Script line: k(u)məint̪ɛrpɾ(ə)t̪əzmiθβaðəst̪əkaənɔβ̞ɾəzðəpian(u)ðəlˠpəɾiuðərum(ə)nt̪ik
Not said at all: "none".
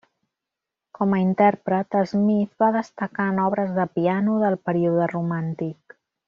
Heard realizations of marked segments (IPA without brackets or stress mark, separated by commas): ɔ, ə, u, a